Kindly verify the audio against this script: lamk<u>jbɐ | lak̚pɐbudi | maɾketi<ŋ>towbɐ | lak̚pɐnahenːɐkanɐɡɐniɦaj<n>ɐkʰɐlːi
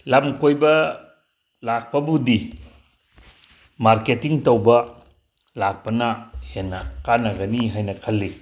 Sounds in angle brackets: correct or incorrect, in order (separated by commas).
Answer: incorrect, correct, correct